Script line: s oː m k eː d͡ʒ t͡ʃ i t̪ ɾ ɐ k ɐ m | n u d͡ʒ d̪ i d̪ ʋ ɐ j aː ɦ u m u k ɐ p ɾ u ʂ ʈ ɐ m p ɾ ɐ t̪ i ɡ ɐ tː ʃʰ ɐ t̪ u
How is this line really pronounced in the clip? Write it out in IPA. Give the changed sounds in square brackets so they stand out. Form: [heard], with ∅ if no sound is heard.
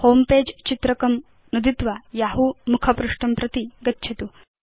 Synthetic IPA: [h] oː m [p] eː d͡ʒ t͡ʃ i t̪ ɾ ɐ k ɐ m | n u [∅] d̪ i [t̪] ʋ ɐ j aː ɦ u m u [kʰ] ɐ p ɾ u ʂ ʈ ɐ m p ɾ ɐ t̪ i ɡ ɐ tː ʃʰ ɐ t̪ u